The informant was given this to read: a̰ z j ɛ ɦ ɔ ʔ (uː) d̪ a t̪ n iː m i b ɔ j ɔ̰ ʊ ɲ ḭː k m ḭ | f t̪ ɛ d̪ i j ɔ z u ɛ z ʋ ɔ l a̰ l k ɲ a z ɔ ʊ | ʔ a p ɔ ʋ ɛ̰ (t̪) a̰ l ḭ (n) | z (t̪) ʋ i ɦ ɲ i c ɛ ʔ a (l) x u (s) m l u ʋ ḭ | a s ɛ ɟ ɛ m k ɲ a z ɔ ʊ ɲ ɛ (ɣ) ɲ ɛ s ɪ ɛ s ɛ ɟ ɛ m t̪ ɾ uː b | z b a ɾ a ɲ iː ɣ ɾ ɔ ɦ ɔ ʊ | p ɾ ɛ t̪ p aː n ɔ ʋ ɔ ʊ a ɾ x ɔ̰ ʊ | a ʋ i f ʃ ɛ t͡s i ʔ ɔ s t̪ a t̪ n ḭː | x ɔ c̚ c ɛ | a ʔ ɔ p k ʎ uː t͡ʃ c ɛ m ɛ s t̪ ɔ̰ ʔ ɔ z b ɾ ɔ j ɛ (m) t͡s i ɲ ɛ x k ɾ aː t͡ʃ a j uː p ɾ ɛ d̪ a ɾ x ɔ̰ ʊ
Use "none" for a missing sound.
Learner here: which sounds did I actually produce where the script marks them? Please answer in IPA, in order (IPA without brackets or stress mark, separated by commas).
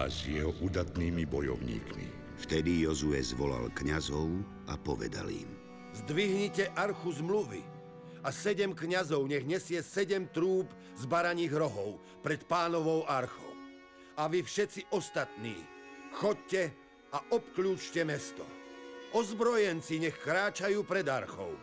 u, d̪, m, d̪, ɾ, z, ɣ, n